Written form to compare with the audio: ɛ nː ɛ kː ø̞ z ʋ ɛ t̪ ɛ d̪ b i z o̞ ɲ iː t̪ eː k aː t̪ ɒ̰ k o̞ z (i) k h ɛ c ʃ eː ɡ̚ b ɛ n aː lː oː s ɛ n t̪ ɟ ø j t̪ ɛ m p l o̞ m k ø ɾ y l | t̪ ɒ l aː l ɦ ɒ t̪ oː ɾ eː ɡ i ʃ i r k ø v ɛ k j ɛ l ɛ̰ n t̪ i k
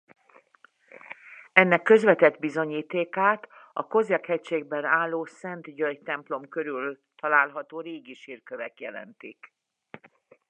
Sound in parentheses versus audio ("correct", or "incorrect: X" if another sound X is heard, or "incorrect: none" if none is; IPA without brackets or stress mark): incorrect: ɛ